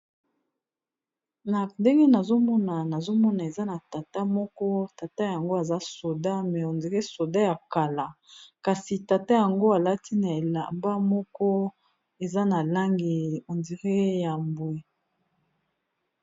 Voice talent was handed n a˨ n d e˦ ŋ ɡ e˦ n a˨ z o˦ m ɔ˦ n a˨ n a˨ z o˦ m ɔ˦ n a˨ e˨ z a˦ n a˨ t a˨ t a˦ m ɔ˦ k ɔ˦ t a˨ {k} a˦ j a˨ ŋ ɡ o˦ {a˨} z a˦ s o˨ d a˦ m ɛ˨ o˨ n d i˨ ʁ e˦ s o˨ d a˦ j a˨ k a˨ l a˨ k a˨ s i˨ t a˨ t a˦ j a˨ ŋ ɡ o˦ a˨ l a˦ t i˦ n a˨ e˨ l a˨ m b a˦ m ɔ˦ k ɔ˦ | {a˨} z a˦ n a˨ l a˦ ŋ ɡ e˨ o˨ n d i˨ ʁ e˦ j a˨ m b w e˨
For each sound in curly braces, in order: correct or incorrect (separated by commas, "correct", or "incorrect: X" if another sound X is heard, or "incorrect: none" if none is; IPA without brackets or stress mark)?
incorrect: t, correct, incorrect: e˨